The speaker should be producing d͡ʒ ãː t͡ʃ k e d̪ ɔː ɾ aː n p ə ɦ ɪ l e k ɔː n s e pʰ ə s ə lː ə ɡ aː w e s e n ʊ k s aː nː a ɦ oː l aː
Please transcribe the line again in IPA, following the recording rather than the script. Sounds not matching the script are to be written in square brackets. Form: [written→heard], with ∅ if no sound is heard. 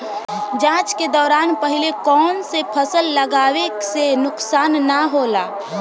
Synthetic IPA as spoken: d͡ʒ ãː t͡ʃ k e d̪ ɔː ɾ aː n p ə ɦ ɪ l e k ɔː n s e pʰ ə s ə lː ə ɡ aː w e s e n ʊ k s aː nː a ɦ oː l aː